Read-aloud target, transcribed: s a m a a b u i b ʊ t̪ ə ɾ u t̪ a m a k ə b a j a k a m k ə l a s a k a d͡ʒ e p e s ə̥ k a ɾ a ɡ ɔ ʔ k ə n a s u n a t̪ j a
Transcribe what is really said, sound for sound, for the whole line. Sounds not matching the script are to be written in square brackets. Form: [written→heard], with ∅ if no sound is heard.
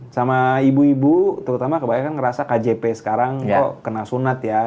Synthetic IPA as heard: s a m a [a→i] b u i b [ʊ→u] t̪ ə ɾ u t̪ a m a k ə b a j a k a [m→n] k ə [l→ɾ] a s a k a d͡ʒ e p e s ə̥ k a ɾ a [ɡ→ŋ] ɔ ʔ k ə n a s u n a t̪ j a

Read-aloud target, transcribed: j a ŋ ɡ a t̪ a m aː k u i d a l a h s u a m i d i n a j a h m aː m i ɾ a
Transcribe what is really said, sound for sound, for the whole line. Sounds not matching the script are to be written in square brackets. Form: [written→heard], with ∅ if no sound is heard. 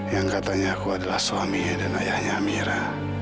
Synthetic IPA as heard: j a ŋ [ɡ→k] a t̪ a [m→ɲ] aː k u [i→a] d a l a h s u a m i d [i→a] n a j a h [m→ɲ] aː m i ɾ a

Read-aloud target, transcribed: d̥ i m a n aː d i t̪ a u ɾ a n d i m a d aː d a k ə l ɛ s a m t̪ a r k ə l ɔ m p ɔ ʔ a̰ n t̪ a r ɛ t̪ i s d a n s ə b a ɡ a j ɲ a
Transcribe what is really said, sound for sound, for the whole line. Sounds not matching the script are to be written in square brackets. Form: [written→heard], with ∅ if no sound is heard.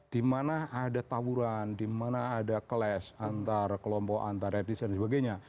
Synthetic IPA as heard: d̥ i m a n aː d [i→a] t̪ a u ɾ a n d i m a [d→n] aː d a k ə l ɛ s a [m→n] t̪ a r k ə l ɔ m p ɔ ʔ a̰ n t̪ a r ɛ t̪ i s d a n s ə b a ɡ a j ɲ a

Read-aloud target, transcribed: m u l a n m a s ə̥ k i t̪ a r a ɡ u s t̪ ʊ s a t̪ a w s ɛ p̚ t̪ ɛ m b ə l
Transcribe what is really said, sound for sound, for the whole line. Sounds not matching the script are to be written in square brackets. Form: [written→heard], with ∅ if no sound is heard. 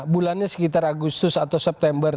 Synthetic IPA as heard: [m→b] u l a n [m→ɲ] a s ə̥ k i t̪ a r a ɡ u s t̪ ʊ s a t̪ a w s ɛ p̚ t̪ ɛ m b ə [l→r]

